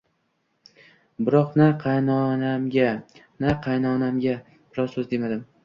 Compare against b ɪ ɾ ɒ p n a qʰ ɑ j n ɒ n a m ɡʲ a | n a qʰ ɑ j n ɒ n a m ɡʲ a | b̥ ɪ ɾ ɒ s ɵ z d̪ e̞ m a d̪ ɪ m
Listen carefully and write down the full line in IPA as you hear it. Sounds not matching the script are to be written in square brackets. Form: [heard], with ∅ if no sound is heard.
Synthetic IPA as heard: b ɪ ɾ ɒ [q] n a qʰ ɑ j n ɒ n a m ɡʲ a | n a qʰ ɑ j n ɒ n a m ɡʲ a | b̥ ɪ ɾ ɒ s ɵ z d̪ e̞ m a d̪ ɪ m